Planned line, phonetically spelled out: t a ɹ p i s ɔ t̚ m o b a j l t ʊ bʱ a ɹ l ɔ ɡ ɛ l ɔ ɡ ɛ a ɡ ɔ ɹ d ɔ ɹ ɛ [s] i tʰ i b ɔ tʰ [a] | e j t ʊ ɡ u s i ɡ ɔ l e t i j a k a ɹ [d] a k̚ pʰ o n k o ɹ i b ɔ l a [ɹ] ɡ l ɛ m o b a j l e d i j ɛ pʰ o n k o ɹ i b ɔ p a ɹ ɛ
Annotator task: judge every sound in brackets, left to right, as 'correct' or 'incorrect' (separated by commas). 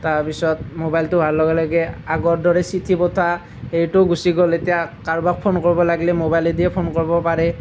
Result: correct, correct, incorrect, incorrect